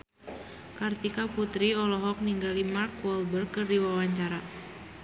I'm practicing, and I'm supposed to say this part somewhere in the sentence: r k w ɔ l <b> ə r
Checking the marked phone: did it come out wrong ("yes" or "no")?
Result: no